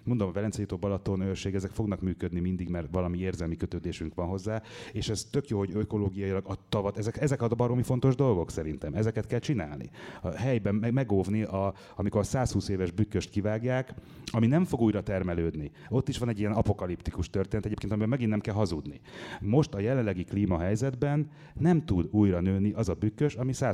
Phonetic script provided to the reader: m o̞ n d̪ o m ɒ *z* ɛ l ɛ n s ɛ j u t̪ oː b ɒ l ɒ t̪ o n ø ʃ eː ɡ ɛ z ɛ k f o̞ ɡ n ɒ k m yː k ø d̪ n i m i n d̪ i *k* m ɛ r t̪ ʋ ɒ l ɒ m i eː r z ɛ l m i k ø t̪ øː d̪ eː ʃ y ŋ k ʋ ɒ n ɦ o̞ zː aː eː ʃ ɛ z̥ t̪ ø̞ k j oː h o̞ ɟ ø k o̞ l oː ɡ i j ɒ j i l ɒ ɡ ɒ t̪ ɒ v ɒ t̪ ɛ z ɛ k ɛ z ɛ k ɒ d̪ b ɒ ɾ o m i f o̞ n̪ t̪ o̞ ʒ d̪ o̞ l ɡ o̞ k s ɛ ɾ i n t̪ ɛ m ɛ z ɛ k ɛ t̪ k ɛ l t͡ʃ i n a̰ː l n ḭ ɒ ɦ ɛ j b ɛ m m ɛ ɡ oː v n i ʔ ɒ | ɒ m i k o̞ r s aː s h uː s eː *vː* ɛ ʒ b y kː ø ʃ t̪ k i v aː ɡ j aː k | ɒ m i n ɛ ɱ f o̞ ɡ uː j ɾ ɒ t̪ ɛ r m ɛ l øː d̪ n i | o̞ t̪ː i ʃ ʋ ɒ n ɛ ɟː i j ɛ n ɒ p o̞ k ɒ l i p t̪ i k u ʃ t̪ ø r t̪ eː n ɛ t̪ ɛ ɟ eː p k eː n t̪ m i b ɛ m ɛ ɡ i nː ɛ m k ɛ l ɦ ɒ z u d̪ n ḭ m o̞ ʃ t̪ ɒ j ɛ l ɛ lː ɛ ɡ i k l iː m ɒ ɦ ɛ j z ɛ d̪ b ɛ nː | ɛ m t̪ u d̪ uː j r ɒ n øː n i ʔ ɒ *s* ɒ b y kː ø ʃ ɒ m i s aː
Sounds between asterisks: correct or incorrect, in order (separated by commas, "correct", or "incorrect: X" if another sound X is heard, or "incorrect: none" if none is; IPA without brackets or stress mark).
incorrect: v, incorrect: ɡ, incorrect: v, incorrect: z